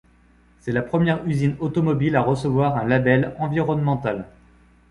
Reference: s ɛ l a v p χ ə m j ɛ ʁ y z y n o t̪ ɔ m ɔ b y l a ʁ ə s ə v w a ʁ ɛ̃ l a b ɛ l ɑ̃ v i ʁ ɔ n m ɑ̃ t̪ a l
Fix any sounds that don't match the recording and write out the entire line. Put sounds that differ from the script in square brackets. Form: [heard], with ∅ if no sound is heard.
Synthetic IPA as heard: s ɛ l a [∅] p χ ə m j ɛ ʁ y z [i] n o t̪ ɔ m ɔ b [i] l a ʁ ə s ə v w a ʁ ɛ̃ l a b ɛ l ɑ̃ v i ʁ ɔ n m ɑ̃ t̪ a l